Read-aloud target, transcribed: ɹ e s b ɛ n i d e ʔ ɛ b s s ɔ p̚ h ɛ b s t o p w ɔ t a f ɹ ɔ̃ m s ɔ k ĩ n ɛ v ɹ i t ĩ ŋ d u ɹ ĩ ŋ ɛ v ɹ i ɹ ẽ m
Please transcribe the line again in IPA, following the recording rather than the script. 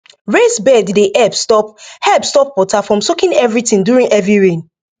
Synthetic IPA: ɹ e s b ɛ d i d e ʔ ɛ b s t ɔ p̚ h ɛ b s t ɔ p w ɔ t a f ɹ ɔ̃ m s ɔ k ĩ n ɛ v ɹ i t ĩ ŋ d u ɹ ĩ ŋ ɛ v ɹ i ɹ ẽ n